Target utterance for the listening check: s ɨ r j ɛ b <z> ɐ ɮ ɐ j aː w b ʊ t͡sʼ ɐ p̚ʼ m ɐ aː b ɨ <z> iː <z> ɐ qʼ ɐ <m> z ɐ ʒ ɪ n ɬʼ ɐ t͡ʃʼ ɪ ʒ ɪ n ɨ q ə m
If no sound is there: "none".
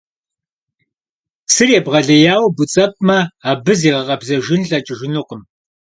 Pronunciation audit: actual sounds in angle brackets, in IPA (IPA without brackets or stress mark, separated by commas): ʁ, z, ʁ, b